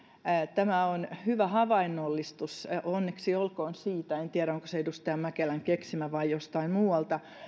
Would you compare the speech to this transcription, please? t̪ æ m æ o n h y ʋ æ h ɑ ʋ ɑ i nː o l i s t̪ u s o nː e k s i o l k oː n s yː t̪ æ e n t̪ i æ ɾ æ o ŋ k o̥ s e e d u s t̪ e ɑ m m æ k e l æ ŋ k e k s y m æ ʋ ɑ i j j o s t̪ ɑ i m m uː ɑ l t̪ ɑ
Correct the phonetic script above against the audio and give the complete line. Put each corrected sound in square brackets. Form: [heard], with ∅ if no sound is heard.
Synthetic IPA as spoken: t̪ æ m æ o n h y ʋ æ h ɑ ʋ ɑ i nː o [lː] i s t̪ u s o nː e k s i o l k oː n s [iː] t̪ æ e n t̪ i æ ɾ æ o ŋ k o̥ s e e d u s t̪ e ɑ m m æ k e l æ ŋ k e k s [i] m æ ʋ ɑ i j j o s t̪ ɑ i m m uː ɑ l t̪ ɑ